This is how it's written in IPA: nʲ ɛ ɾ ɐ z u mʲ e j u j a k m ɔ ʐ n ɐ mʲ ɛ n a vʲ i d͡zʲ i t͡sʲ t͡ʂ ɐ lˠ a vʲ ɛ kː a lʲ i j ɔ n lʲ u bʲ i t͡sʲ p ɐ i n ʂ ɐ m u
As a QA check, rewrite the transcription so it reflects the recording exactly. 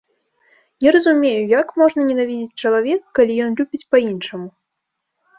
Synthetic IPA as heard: nʲ ɛ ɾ ɐ z u mʲ e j u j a k m ɔ ʐ n ɐ nʲ ɛ n a vʲ i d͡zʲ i t͡sʲ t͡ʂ ɐ lˠ a vʲ ɛ kː a lʲ i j ɔ n lʲ u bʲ i t͡sʲ p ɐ i n ʂ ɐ m u